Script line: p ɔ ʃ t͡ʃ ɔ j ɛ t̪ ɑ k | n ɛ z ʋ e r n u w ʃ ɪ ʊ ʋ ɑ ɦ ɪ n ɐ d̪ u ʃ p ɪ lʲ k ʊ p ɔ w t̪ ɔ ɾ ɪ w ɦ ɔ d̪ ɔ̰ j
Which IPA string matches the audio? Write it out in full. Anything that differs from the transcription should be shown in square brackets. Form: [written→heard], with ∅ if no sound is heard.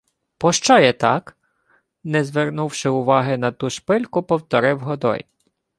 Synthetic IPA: p ɔ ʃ t͡ʃ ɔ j ɛ t̪ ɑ k | n ɛ z ʋ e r n u w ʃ ɪ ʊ ʋ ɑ ɦ ɪ n ɐ [d̪→t̪] u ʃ p ɪ lʲ k ʊ p ɔ w t̪ ɔ ɾ ɪ w ɦ ɔ d̪ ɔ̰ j